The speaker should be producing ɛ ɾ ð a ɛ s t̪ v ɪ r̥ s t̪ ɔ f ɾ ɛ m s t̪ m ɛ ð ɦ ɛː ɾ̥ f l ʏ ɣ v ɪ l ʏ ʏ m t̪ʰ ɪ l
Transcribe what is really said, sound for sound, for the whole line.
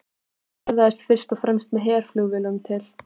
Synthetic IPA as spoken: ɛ ɾ ð a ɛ s t̪ f ɪ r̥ s t̪ ɔ f ɾ ɛ m s t̪ m ɛ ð ɦ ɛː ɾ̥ f l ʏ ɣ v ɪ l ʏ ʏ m t̪ʰ ɪ l